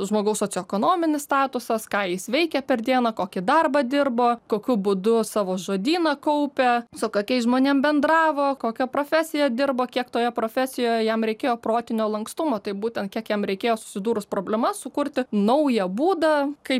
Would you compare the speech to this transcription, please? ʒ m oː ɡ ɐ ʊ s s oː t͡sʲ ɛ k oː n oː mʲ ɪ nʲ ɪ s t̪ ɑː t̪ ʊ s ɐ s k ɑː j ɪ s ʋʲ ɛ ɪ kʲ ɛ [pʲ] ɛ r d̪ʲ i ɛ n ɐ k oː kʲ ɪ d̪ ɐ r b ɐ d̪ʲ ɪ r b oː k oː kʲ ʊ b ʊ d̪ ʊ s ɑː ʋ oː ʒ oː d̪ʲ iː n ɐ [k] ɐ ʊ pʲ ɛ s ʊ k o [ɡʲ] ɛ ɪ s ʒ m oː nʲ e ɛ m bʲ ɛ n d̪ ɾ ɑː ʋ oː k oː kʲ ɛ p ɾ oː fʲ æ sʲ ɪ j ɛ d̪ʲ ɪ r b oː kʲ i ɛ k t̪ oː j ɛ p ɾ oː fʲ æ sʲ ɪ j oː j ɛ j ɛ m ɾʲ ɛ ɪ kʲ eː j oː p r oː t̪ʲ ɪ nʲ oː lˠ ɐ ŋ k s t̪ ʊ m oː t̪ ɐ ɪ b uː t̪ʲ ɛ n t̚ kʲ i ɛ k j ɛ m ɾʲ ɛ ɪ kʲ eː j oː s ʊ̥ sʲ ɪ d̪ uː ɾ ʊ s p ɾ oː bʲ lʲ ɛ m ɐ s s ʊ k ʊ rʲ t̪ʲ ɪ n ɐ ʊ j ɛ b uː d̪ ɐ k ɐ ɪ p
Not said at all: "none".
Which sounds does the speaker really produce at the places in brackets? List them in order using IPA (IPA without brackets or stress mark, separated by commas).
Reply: pʲ, k, kʲ